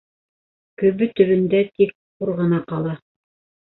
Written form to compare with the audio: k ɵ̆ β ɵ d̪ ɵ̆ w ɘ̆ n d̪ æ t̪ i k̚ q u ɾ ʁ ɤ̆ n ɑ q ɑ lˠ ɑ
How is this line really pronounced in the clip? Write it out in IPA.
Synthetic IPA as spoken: k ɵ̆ β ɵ t̪ ɵ̆ β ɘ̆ n d̪ æ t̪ i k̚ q u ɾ ʁ ɤ̆ n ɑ q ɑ lˠ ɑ